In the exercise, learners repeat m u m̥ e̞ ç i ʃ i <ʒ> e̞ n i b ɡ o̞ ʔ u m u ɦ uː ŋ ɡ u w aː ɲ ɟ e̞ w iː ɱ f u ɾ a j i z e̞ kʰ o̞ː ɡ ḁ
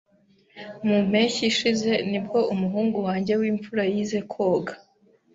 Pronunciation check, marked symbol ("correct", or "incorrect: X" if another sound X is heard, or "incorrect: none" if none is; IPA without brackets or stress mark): incorrect: z